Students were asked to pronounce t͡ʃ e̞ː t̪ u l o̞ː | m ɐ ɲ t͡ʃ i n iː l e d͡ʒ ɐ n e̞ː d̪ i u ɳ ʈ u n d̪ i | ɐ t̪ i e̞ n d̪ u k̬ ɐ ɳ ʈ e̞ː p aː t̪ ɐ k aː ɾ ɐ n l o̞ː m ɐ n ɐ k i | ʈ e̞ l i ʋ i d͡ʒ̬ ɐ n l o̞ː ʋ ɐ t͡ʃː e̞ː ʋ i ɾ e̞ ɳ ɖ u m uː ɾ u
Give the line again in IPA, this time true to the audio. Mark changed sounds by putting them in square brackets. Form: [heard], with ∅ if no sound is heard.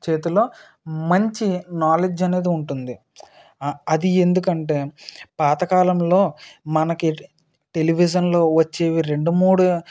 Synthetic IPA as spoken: t͡ʃ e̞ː t̪ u l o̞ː | m ɐ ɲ t͡ʃ i n [aː] l e d͡ʒ ɐ n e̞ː d̪ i u ɳ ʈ u n d̪ i | ɐ [d̪] i e̞ n d̪ u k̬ ɐ ɳ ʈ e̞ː p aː t̪ ɐ k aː [l] ɐ [m] l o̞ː m ɐ n ɐ k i | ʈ e̞ l i ʋ i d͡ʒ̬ ɐ n l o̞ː ʋ ɐ t͡ʃː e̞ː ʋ i ɾ e̞ ɳ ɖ u m uː [ɽ] u

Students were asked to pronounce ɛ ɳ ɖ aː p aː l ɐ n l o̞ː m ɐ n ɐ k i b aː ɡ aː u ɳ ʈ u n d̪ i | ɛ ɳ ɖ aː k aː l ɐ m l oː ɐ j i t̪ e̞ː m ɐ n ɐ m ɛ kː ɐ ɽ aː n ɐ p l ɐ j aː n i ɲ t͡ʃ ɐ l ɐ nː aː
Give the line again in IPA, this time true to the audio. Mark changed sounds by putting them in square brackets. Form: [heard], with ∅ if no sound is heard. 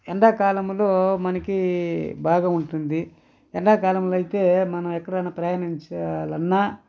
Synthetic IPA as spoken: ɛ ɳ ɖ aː [k] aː l ɐ [m] l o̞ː m ɐ n ɐ k i b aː ɡ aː u ɳ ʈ u n d̪ i | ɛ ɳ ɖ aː k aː l ɐ m l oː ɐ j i t̪ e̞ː m ɐ n ɐ m ɛ kː ɐ ɽ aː n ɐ p [ɾ] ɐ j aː n i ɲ t͡ʃ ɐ l ɐ nː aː

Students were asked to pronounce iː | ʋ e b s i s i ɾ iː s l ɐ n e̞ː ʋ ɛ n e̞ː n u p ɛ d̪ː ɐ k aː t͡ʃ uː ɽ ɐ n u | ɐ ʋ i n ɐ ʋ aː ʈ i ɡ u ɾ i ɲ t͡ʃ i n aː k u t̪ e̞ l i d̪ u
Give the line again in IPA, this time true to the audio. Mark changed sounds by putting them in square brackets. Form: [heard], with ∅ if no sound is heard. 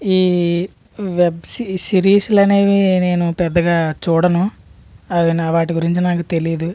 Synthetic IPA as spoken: iː | ʋ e b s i s i ɾ iː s l ɐ n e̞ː ʋ [i] n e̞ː n u p ɛ d̪ː ɐ [ɡ] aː t͡ʃ uː ɽ ɐ n u | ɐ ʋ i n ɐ ʋ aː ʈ i ɡ u ɾ i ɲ t͡ʃ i n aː k u t̪ e̞ l i d̪ u

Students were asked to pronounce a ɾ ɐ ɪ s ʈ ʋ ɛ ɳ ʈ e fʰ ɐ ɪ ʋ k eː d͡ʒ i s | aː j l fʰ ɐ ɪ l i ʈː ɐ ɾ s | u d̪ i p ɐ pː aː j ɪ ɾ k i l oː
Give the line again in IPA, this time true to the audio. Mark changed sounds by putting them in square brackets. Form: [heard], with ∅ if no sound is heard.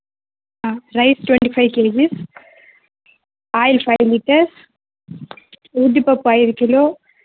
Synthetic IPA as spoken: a ɾ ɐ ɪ s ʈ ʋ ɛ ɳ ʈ [i] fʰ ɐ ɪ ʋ k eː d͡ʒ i s | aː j l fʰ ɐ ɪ l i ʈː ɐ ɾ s | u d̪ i p ɐ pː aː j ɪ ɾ k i l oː

